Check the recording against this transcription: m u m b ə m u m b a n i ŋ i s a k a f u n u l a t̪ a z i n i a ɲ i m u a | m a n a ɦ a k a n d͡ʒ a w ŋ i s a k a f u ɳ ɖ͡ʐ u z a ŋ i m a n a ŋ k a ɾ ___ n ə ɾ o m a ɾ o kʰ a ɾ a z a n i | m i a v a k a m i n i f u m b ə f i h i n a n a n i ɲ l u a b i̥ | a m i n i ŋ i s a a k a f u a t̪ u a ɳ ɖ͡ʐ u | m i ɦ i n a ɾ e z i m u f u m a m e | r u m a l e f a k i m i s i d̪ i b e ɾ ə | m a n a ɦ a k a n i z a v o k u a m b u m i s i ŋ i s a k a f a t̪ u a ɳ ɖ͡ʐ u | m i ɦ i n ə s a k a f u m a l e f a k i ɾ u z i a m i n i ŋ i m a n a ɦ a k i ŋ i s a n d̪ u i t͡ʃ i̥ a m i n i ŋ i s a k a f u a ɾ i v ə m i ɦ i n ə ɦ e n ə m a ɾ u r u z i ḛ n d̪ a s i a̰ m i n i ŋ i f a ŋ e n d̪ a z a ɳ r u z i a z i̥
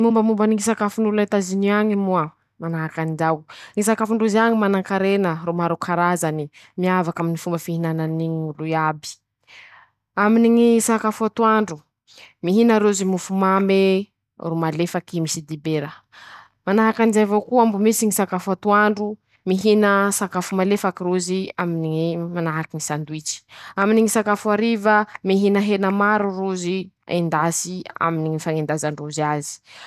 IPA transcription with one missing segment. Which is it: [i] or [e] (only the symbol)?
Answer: e